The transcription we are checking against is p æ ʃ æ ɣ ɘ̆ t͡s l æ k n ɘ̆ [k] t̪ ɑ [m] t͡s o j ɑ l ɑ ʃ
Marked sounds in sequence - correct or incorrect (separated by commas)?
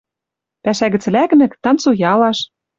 correct, incorrect